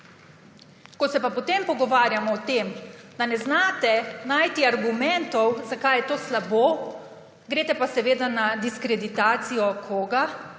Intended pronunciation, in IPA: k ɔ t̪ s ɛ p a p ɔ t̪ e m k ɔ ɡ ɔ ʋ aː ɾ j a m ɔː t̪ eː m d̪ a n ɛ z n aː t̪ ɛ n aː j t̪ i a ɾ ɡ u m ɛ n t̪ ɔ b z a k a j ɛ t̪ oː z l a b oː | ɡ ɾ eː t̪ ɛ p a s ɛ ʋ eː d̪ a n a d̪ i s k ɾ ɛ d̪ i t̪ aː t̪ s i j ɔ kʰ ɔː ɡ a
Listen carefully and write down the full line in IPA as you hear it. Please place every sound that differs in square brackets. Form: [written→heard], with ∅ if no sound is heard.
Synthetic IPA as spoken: k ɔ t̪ s ɛ p a p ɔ t̪ e m [k→p] ɔ ɡ ɔ ʋ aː ɾ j a m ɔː t̪ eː m d̪ a n ɛ z n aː t̪ ɛ n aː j t̪ i a ɾ ɡ u m ɛ n t̪ ɔ [b→w] z a k a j ɛ t̪ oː [z→s] l a b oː | ɡ ɾ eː t̪ ɛ p a s ɛ ʋ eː d̪ a n a d̪ i s k ɾ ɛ d̪ i t̪ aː t̪ s i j ɔ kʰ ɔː ɡ a